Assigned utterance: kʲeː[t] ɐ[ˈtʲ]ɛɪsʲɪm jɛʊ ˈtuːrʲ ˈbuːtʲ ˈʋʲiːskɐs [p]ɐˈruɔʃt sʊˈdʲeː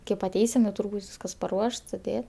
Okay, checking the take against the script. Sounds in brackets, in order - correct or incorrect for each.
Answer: incorrect: p, correct, correct

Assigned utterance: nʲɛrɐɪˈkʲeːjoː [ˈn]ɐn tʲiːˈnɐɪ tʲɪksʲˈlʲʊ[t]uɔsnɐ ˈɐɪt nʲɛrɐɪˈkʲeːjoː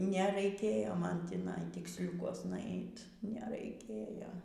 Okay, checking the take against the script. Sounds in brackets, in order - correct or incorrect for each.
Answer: incorrect: m, incorrect: k

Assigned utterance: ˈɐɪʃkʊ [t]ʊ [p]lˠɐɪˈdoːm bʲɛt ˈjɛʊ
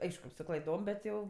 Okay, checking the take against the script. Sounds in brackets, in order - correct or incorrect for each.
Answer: incorrect: s, incorrect: k

